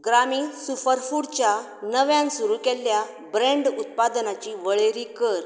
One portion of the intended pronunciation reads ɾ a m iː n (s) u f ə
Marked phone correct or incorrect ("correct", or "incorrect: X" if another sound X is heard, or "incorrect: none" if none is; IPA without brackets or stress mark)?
correct